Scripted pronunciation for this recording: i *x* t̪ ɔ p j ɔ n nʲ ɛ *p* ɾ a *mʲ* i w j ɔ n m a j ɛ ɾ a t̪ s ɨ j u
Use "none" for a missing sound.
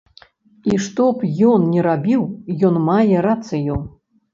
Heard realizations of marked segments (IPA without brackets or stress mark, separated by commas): ʂ, none, bʲ